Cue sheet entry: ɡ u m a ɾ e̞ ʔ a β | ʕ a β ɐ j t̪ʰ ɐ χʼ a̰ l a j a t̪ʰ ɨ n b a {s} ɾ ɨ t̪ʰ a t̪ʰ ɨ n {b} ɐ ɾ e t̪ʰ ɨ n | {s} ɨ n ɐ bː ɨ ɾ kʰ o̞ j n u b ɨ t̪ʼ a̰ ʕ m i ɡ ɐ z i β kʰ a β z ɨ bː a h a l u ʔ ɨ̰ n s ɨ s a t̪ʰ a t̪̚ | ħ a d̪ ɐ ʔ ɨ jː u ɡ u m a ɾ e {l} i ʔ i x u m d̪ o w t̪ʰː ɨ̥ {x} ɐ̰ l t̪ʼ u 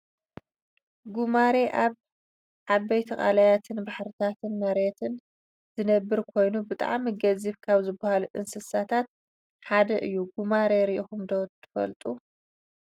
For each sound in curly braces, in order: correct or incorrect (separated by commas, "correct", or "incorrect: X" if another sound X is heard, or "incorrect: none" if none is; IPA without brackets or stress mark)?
incorrect: ħ, incorrect: m, incorrect: z, incorrect: ɾ, incorrect: f